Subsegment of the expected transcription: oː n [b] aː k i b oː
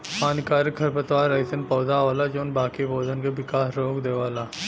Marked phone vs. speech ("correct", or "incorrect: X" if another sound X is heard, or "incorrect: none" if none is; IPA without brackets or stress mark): correct